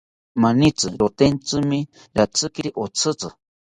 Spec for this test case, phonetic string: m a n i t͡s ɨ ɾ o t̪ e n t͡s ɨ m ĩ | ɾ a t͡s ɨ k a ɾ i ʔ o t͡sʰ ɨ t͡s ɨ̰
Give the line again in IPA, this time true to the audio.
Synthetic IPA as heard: m a n i t͡s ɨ ɾ o t̪ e n t͡s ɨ m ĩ | ɾ a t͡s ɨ k i ɾ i ʔ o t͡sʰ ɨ t͡s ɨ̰